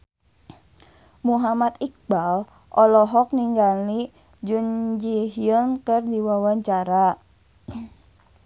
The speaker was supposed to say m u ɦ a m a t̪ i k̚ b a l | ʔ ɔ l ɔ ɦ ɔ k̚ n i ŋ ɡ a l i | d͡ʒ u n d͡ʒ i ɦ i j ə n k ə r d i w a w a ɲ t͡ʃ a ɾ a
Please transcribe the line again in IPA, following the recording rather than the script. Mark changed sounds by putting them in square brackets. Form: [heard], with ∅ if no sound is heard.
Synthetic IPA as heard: m u ɦ a m a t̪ i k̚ b a l | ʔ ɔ l ɔ ɦ ɔ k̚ n i ŋ ɡ a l i | d͡ʒ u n d͡ʒ i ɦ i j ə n k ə r d i w a w a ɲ t͡ʃ a ɾ a